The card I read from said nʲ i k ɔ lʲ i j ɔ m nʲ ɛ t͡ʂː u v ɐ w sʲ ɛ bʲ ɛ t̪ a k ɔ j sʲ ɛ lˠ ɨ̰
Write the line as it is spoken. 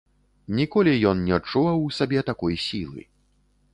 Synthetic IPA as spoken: nʲ i k ɔ lʲ i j ɔ n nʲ ɛ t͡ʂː u v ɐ w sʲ a bʲ ɛ t̪ a k ɔ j sʲ i lˠ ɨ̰